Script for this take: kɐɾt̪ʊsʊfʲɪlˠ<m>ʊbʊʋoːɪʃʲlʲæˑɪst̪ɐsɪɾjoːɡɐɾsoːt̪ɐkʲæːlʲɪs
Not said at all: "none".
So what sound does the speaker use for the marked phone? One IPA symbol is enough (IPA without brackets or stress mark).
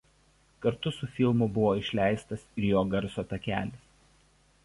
m